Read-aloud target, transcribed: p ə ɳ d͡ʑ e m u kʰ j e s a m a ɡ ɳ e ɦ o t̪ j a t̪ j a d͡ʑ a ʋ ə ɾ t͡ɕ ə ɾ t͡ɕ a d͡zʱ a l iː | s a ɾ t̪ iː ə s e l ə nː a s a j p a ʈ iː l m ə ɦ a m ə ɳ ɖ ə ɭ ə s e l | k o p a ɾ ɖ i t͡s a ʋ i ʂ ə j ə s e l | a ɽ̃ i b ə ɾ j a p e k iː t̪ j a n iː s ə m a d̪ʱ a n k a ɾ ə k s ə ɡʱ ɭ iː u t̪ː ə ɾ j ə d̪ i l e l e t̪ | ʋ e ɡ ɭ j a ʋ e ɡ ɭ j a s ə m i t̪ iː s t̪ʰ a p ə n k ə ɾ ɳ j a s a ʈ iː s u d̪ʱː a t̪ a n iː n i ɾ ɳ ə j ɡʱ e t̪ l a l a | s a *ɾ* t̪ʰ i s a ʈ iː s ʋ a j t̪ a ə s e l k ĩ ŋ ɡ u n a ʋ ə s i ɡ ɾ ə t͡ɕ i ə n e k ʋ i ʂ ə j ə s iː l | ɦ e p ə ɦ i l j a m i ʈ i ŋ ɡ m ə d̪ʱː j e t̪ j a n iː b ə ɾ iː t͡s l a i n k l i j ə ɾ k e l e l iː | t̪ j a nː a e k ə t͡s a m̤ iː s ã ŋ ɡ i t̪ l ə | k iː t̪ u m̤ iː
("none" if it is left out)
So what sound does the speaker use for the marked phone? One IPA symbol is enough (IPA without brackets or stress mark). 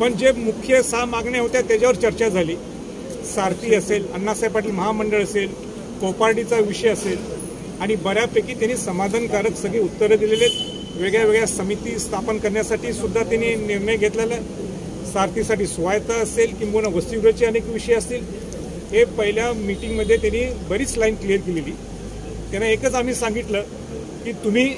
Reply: ɾ